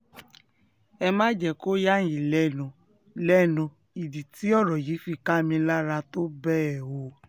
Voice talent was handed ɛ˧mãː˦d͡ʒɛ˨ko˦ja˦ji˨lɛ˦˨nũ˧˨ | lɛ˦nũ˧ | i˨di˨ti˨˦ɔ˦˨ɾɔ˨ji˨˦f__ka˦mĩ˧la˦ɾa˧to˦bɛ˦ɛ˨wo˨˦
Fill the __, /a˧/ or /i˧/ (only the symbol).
i˧